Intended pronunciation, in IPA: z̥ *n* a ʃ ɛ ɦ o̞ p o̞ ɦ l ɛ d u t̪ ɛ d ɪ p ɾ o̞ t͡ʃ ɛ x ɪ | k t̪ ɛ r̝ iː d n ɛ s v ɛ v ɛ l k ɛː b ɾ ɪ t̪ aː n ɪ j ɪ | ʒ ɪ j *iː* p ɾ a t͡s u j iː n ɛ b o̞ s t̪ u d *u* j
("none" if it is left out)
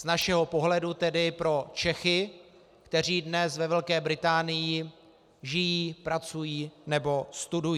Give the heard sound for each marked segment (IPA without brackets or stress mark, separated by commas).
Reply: n, iː, u